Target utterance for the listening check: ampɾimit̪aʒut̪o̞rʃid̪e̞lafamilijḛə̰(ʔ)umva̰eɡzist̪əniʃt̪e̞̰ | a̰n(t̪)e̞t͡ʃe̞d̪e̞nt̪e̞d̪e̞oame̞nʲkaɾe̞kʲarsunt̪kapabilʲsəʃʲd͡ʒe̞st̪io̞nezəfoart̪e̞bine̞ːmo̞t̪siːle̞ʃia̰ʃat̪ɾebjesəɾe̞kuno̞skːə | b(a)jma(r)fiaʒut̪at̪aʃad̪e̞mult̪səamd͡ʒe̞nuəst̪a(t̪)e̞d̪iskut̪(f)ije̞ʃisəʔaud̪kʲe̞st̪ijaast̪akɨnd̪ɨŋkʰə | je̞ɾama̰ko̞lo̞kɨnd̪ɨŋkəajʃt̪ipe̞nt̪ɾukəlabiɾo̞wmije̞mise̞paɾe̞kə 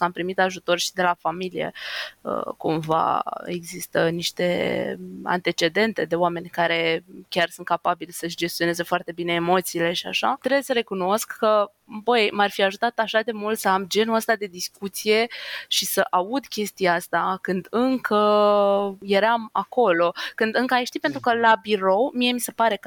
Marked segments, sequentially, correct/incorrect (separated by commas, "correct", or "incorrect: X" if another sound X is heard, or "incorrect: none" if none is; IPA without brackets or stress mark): incorrect: k, correct, incorrect: ə, correct, incorrect: d̪, incorrect: s